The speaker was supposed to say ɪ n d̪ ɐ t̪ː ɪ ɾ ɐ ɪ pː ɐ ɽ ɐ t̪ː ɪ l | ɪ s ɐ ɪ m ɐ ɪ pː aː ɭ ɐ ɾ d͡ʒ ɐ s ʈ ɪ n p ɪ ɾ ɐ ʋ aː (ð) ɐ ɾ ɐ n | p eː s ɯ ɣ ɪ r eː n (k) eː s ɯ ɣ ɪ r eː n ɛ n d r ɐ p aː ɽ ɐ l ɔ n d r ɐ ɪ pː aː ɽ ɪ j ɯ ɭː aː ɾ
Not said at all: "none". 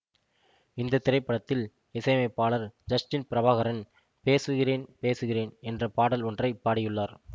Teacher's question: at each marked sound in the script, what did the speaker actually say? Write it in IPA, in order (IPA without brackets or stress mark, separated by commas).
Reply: ɣ, p